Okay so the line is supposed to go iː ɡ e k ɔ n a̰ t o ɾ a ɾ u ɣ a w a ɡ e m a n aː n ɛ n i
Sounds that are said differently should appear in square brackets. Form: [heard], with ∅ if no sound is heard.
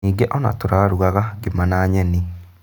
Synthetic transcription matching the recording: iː ɡ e [ʔ] ɔ n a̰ t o ɾ a ɾ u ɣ a [ɣ] a ɡ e m a n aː [ɲ] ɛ n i